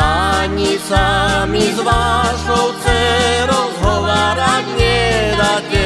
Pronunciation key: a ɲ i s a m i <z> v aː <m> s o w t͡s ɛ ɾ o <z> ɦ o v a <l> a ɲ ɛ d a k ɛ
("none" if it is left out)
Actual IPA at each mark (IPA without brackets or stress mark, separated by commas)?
z, none, z, ɾ